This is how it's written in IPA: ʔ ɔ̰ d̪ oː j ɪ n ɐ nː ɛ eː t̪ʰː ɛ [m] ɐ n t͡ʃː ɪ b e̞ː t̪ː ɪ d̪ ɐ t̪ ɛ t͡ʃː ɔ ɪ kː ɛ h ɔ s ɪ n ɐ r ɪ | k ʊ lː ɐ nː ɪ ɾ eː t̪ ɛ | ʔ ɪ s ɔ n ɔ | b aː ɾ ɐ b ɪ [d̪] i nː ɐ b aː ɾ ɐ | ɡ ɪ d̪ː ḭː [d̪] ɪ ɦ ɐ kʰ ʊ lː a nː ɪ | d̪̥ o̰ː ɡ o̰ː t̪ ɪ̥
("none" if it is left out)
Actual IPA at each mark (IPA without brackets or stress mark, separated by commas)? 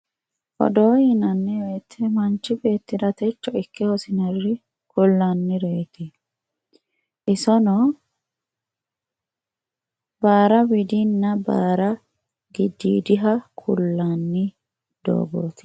m, d̪, d̪